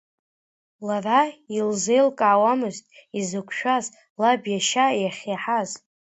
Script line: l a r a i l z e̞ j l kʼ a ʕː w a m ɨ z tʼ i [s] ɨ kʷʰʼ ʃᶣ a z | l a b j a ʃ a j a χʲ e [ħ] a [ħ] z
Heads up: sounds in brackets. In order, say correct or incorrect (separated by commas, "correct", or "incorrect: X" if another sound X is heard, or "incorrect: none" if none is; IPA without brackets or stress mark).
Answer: incorrect: z, correct, incorrect: none